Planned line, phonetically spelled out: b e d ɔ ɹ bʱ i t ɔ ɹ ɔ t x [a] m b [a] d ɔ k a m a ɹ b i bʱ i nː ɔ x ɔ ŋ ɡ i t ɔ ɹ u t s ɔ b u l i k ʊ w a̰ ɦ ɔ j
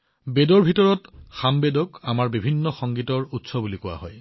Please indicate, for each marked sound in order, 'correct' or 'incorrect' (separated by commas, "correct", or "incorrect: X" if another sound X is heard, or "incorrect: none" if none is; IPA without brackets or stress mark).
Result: correct, incorrect: e